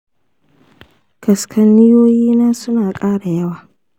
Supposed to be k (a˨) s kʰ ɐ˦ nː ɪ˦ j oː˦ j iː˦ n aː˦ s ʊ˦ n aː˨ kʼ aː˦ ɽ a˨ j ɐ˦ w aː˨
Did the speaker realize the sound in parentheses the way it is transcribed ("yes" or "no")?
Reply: no